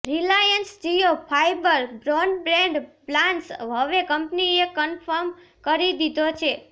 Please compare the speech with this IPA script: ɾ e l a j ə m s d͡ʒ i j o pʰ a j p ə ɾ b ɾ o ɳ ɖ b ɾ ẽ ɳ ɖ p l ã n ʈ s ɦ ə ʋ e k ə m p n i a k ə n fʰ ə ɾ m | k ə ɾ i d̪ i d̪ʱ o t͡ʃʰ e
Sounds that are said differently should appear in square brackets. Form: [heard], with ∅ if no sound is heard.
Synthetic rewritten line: ɾ [i] l a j ə [n] s d͡ʒ i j o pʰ a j [b] ə ɾ b ɾ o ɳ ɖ b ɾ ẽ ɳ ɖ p l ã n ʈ s ɦ ə ʋ e k ə m p n i [e] k ə n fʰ ə ɾ m | k ə ɾ i d̪ i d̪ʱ o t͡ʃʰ e

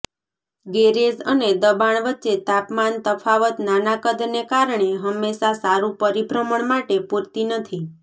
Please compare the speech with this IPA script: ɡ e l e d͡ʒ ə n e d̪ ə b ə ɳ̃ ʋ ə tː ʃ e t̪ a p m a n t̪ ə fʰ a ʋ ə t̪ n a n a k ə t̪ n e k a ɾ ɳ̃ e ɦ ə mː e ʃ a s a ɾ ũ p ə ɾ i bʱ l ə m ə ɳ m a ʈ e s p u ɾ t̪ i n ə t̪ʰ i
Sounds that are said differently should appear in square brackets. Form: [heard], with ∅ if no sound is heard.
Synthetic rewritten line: ɡ e [ɾ] e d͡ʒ ə n e d̪ ə b [a] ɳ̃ ʋ ə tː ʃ e t̪ a p m a n t̪ ə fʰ a ʋ ə t̪ n a n a k ə [d̪] n e k a ɾ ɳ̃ e ɦ ə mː e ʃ a s a ɾ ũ p ə ɾ i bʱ [ɾ] ə m ə ɳ m a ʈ e [∅] p u ɾ t̪ i n ə t̪ʰ i

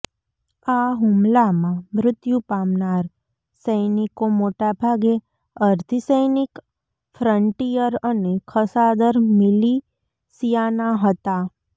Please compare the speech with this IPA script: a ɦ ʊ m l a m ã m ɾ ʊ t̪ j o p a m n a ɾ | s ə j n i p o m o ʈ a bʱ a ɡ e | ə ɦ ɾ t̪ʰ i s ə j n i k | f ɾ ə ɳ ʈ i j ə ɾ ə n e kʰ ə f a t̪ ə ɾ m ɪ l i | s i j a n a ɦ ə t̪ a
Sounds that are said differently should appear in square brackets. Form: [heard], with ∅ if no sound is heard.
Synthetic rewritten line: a ɦ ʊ m l a m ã m ɾ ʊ t̪ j [u] p a m n a ɾ | s ə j n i [k] o m o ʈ a bʱ a ɡ e | ə [∅] ɾ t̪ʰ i s ə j n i k | f ɾ ə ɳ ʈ i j ə ɾ ə n e kʰ ə [s] a [d̪] ə ɾ m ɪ l i | s i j a n a ɦ ə t̪ a

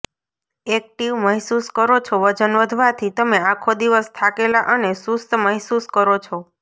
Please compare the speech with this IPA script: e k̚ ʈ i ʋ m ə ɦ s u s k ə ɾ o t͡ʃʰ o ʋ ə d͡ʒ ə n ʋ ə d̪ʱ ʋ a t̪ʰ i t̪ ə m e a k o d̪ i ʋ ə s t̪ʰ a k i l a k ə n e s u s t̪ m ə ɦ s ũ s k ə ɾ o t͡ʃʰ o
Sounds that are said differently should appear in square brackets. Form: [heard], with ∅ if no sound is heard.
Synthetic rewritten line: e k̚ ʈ i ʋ m ə ɦ s u s k ə ɾ o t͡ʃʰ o ʋ ə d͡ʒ ə n ʋ ə d̪ʱ ʋ a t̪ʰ i t̪ ə m e a [kʰ] o d̪ i ʋ ə s t̪ʰ a k [e] l a [ʔ] ə n e s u s t̪ m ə ɦ s [u] s k ə ɾ o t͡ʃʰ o

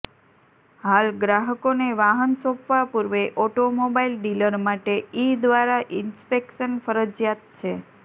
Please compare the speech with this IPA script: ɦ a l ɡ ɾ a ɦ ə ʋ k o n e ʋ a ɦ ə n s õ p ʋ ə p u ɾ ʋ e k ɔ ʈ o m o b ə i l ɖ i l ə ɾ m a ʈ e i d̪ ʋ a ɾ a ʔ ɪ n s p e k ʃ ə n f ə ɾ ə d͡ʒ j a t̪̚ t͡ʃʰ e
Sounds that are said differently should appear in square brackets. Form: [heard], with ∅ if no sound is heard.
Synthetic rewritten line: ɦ a l ɡ ɾ a ɦ ə [∅] k o n e ʋ a ɦ ə n s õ p ʋ [a] p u ɾ ʋ e [ʔ] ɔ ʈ o m o b [a] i l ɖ i l ə ɾ m a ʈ e i d̪ ʋ a ɾ a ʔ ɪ n s p e k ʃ ə n f ə ɾ ə d͡ʒ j a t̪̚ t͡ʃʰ e

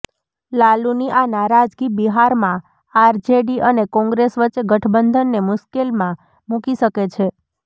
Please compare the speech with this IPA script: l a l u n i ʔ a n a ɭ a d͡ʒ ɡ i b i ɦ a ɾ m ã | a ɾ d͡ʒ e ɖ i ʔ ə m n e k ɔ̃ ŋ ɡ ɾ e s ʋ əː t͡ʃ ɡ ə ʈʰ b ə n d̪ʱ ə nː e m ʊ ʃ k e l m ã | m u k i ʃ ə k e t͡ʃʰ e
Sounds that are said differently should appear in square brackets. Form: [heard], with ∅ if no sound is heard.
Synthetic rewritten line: l a l u n i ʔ a n a [ɾ] a d͡ʒ ɡ i b i ɦ a ɾ m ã | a ɾ d͡ʒ e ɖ i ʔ ə [∅] n e k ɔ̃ ŋ ɡ ɾ e s ʋ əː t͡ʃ ɡ ə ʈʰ b ə n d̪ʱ ə nː e m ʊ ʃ k e l m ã | m u k i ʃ ə k e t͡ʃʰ e

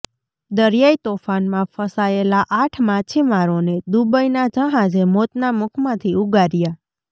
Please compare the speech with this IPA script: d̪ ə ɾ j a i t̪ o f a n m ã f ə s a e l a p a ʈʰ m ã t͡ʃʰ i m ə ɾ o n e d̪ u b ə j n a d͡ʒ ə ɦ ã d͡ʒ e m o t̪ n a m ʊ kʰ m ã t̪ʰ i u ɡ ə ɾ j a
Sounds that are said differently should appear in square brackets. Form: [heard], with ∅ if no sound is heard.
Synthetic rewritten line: d̪ ə ɾ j a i t̪ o f a n m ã f ə s a e l a [ʔ] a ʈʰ m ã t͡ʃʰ i m [a] ɾ o n e d̪ u b ə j n a d͡ʒ ə ɦ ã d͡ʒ e m o t̪ n a m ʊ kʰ m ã t̪ʰ i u ɡ [a] ɾ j a

